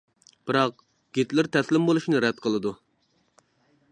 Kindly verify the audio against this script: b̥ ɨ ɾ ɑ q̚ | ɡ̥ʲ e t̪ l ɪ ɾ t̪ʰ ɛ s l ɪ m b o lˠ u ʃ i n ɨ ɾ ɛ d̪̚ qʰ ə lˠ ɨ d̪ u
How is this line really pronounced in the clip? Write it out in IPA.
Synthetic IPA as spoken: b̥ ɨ ɾ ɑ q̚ | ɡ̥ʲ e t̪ l ɪ ɾ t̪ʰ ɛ s l ɪ m b o lˠ u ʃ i n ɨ ɾ ɛ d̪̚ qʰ ə lˠ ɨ d̪ u